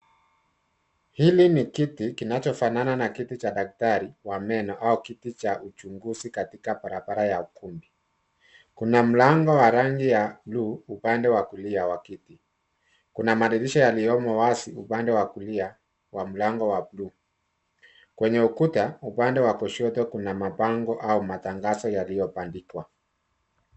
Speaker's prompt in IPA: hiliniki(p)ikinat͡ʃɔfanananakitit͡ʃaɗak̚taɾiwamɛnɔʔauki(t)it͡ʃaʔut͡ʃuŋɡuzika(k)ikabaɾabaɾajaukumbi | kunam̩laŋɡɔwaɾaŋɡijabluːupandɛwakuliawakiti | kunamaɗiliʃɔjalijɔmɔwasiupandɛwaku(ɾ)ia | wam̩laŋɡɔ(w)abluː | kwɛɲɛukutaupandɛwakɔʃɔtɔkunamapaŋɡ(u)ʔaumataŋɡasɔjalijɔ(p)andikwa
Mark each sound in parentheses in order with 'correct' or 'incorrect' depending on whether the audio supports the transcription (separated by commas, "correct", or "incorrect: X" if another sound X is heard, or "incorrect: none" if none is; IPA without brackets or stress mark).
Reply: incorrect: t, correct, incorrect: t, incorrect: l, correct, incorrect: ɔ, correct